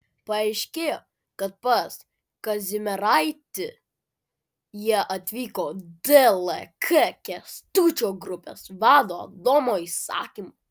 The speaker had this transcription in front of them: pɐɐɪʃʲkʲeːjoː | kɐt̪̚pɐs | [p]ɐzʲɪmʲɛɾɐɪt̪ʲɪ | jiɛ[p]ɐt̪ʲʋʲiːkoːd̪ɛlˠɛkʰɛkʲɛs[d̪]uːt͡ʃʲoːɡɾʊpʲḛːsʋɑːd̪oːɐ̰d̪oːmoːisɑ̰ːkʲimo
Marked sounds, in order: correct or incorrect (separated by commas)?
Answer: incorrect, incorrect, incorrect